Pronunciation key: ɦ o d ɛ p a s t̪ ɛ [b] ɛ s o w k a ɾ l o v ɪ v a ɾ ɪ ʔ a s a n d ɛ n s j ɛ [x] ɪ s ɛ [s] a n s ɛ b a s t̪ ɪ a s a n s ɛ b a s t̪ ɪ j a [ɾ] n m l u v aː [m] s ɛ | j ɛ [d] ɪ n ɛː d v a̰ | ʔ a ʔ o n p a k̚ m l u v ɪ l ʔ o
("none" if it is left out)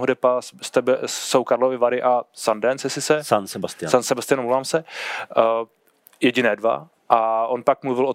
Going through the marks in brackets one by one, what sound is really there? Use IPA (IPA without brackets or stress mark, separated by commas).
b, s, s, none, m, ɟ